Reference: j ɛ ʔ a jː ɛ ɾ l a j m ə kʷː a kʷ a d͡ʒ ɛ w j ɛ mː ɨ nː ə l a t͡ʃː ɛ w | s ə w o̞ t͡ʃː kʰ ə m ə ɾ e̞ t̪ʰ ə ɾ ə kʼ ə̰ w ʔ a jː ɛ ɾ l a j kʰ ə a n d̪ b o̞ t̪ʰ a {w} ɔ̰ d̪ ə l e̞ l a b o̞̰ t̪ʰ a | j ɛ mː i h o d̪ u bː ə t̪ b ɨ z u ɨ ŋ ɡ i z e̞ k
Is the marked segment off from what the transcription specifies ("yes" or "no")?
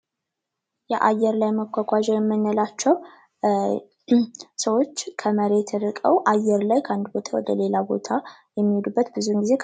no